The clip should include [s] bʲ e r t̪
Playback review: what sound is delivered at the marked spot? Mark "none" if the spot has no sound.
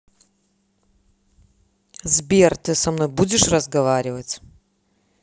z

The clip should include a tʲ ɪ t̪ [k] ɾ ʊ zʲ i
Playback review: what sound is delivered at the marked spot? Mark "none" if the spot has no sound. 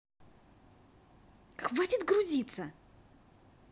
ɡ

